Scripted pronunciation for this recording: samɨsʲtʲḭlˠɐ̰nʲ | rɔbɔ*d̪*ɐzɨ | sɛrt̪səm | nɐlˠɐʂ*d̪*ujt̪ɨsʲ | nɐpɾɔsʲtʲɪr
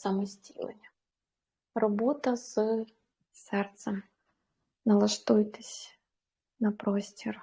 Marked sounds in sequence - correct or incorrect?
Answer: incorrect, incorrect

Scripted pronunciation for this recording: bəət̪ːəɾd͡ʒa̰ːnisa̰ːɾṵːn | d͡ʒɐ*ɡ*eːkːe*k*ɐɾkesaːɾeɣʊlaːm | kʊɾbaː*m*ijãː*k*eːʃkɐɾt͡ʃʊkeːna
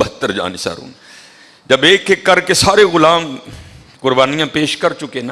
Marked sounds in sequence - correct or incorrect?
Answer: incorrect, correct, incorrect, incorrect

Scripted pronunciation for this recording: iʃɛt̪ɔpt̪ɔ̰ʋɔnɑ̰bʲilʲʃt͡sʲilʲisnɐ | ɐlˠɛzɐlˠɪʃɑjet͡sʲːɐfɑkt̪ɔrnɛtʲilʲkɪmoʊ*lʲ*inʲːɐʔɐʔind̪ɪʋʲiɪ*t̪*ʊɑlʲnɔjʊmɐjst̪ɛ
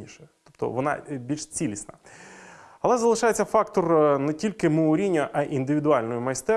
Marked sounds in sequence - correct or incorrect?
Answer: incorrect, incorrect

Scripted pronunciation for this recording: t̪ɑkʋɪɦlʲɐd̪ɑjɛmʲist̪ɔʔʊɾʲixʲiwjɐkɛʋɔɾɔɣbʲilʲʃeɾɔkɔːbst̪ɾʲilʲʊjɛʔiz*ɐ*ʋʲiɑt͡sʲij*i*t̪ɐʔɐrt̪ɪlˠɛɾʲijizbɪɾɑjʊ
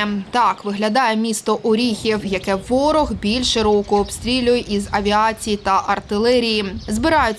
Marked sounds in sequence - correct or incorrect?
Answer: correct, correct

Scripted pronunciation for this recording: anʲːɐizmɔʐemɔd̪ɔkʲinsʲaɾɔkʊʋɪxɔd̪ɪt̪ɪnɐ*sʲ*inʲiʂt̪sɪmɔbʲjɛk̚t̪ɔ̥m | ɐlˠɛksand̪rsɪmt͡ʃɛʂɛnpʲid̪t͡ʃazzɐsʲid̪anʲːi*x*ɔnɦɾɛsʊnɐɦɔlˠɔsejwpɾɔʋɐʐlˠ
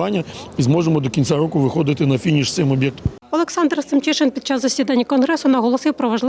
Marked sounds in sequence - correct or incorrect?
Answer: incorrect, incorrect

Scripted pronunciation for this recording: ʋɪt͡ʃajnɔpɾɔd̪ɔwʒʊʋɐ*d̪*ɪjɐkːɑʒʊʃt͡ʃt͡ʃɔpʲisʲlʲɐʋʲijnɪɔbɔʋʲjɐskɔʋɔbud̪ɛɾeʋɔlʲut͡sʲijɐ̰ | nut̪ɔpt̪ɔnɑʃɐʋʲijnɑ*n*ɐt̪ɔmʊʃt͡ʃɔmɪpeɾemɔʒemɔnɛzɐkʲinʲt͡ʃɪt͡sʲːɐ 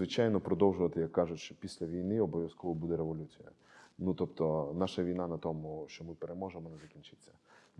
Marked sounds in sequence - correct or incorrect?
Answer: incorrect, correct

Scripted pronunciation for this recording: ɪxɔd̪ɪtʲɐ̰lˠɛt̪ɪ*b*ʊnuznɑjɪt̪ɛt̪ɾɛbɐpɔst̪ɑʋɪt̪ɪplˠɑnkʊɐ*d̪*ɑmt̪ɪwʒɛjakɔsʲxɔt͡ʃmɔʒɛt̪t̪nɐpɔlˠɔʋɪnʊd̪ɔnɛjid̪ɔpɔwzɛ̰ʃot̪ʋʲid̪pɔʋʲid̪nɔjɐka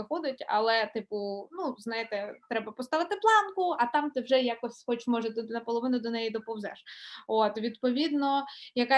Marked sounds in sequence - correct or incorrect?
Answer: incorrect, incorrect

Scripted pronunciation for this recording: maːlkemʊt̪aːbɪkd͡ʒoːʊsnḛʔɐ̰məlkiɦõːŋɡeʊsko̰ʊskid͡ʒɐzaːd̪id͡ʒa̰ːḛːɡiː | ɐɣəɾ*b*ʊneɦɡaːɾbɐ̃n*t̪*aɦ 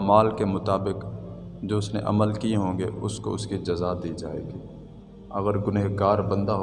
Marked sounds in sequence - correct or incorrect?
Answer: incorrect, incorrect

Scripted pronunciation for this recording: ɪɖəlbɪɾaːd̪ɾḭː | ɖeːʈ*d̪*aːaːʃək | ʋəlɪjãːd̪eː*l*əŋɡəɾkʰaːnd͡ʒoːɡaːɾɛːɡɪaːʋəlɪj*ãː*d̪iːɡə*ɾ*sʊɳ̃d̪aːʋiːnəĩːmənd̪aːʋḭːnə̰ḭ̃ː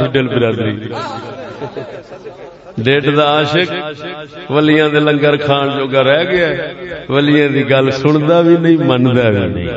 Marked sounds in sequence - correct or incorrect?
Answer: correct, correct, correct, incorrect

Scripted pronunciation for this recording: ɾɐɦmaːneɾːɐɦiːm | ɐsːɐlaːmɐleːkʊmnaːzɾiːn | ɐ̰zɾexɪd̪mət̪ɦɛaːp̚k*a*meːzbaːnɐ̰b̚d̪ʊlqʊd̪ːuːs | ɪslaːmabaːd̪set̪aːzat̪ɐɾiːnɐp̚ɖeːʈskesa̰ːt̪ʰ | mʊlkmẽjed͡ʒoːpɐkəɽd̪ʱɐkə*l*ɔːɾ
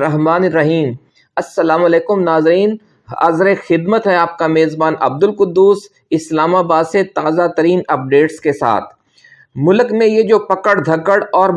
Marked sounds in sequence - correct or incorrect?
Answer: correct, incorrect

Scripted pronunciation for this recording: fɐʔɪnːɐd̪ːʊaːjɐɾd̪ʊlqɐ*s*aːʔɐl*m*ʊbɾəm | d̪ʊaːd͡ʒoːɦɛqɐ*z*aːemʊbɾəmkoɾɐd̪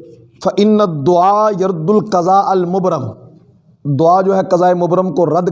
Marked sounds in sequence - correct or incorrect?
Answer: incorrect, correct, correct

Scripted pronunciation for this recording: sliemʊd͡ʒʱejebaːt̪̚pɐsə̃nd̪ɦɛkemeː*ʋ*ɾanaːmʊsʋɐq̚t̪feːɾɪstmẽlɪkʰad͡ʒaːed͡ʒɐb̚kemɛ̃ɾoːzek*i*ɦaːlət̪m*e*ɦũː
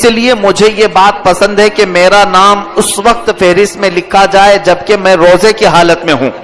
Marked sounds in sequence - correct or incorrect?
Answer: incorrect, correct, incorrect

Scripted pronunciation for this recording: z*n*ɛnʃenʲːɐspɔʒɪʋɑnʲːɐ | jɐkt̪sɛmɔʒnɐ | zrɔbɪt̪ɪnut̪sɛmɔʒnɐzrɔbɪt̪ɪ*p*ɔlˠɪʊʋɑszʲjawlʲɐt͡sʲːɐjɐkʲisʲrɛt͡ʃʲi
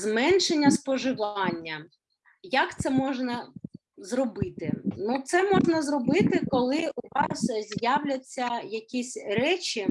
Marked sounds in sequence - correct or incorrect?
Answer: incorrect, incorrect

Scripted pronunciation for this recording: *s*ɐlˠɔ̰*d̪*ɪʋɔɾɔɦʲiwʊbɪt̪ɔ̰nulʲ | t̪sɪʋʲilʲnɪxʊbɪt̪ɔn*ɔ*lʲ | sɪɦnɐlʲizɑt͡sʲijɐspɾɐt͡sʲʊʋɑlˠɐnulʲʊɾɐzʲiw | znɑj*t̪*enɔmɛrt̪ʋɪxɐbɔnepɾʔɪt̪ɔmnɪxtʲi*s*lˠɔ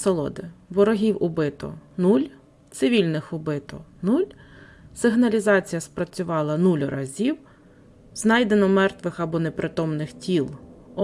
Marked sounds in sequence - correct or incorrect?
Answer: correct, correct, incorrect, incorrect, incorrect

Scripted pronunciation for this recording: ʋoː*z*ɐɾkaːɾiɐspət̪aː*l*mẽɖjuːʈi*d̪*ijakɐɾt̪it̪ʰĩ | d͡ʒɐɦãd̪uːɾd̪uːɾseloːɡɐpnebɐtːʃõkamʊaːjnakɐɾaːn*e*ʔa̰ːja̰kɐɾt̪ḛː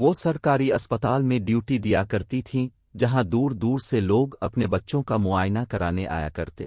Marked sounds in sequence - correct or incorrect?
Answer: incorrect, correct, correct, correct

